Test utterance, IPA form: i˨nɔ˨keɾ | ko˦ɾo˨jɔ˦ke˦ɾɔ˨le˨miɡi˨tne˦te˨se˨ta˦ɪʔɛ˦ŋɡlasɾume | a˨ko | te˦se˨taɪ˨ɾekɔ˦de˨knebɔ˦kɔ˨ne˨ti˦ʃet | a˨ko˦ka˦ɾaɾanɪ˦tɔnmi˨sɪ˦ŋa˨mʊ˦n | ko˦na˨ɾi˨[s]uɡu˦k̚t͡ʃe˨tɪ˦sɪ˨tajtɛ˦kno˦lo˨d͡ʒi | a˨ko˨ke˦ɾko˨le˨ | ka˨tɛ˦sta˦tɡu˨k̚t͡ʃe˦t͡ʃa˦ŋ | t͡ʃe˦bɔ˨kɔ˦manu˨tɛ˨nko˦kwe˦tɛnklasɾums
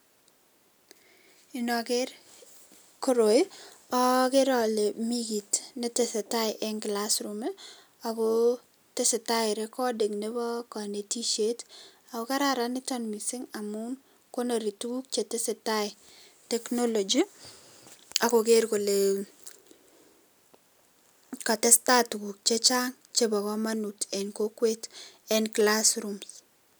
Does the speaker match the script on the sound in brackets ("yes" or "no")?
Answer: no